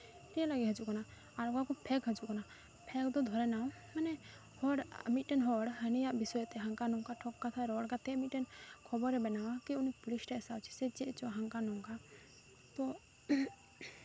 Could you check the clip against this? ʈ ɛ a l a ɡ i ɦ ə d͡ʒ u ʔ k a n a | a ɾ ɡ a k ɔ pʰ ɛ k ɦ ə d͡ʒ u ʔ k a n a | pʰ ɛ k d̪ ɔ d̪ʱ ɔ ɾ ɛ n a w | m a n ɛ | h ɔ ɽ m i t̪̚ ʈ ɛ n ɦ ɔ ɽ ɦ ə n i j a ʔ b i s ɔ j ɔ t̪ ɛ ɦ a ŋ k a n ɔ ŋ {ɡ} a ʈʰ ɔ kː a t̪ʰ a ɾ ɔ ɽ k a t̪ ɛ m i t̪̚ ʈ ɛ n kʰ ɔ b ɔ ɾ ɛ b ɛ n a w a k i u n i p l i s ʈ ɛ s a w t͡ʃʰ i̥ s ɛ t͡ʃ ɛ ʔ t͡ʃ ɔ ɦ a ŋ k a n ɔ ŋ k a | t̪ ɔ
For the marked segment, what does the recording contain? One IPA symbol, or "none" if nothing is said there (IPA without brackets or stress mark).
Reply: k